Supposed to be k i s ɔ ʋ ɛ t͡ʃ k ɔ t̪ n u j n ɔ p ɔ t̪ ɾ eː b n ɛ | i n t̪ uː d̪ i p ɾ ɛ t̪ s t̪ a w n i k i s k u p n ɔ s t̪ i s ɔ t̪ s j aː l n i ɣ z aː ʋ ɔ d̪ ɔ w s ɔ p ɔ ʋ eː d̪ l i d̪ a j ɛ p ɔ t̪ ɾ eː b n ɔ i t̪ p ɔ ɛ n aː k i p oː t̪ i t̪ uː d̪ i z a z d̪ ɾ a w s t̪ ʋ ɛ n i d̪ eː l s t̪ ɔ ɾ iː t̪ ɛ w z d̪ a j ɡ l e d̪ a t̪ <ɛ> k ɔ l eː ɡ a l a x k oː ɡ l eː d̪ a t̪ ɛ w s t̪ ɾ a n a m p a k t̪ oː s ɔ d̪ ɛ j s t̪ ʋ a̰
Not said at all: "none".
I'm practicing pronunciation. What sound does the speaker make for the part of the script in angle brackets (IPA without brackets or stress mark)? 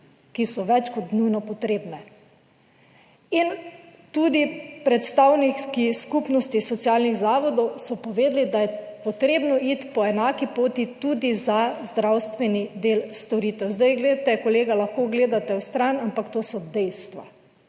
ɛ